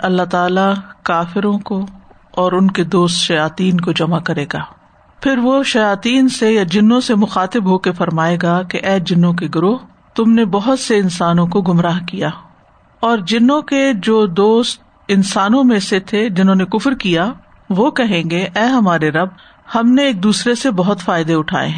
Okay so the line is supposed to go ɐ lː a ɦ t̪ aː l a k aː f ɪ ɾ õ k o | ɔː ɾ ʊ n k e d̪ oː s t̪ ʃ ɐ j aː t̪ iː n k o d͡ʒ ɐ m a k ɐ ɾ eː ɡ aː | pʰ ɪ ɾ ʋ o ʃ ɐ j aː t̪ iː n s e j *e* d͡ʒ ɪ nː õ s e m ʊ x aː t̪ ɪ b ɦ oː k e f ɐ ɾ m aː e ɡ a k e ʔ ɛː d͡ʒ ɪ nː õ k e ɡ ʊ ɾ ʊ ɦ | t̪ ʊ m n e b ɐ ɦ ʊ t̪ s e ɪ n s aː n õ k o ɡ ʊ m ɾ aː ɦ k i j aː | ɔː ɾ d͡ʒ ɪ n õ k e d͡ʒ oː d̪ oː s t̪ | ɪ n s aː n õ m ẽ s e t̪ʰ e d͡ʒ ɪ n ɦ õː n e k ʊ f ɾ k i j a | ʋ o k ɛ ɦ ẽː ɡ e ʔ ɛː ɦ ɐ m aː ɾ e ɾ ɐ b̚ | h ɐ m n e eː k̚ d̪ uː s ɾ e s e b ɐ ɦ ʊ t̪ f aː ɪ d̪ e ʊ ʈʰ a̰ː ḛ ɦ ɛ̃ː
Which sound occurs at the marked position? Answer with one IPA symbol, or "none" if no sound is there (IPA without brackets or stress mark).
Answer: a